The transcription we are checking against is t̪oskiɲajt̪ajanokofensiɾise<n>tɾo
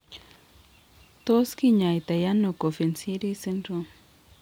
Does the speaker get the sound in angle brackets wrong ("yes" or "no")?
no